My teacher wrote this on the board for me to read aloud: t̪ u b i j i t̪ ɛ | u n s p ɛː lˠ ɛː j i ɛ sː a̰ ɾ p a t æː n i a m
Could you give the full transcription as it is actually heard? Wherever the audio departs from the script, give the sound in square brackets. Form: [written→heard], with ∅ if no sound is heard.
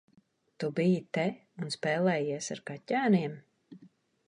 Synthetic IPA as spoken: t̪ u b i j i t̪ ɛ | u n s p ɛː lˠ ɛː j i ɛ [sː→s] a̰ ɾ [p→k] a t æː n i [a→ɛ] m